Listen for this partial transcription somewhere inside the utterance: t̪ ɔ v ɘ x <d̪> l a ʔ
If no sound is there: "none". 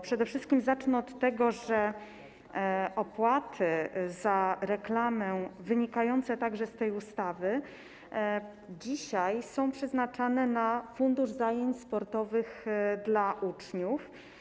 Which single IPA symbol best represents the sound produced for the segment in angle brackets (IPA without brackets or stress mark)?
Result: d̪